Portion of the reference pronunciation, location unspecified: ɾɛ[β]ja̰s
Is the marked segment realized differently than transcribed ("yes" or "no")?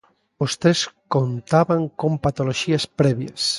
no